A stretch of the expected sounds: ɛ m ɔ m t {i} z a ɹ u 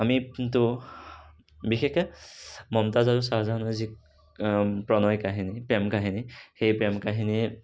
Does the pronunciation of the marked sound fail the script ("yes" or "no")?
yes